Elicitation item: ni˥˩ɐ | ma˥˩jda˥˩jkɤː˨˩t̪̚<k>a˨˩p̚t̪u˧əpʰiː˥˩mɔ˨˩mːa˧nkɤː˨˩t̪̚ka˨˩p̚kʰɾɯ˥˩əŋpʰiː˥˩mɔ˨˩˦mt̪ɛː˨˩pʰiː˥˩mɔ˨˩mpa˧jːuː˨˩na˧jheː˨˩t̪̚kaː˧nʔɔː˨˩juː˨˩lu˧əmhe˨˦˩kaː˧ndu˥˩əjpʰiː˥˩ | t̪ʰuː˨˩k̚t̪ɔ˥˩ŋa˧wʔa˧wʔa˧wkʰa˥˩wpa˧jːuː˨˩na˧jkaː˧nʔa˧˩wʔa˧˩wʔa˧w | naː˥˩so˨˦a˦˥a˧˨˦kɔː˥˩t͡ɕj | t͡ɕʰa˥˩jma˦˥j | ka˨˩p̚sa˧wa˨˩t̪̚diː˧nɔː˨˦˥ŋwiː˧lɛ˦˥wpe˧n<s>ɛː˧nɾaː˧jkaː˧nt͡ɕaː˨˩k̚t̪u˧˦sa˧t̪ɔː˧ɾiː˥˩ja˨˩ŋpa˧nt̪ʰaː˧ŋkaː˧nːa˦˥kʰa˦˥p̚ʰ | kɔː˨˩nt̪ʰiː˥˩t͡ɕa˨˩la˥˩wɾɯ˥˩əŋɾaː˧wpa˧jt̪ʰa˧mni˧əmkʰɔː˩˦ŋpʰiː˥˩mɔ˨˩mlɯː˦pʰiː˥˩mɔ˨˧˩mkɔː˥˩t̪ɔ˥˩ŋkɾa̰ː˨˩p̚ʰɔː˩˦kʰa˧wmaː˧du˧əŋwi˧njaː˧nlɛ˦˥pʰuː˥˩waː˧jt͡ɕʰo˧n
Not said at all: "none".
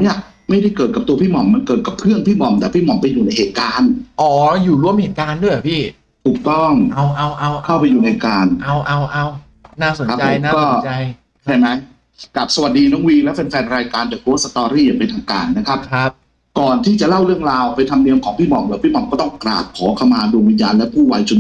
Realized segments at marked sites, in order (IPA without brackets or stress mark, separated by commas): k, f